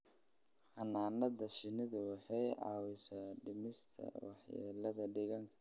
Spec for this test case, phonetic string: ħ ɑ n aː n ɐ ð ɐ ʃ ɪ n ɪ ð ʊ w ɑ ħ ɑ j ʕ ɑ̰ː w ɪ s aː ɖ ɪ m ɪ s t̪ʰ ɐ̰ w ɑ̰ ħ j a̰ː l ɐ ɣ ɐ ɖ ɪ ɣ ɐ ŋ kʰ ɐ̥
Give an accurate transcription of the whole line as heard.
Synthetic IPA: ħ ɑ n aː n ɐ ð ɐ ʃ ɪ n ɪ ð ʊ w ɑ ħ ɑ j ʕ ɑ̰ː w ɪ s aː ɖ ɪ m ɪ s t̪ʰ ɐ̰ w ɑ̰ ħ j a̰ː l ɐ ð ɐ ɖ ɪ ɣ ɐ ŋ kʰ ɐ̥